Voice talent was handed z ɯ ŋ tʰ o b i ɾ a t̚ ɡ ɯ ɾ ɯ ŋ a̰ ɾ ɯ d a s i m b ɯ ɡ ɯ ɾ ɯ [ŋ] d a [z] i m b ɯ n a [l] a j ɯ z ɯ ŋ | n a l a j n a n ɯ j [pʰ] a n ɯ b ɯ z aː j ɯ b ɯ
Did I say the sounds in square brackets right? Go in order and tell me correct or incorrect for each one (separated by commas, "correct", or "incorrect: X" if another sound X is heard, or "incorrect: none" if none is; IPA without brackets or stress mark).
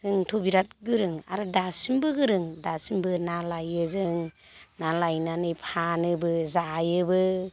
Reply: correct, incorrect: s, correct, correct